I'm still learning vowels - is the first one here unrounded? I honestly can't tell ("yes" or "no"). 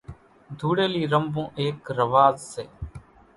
no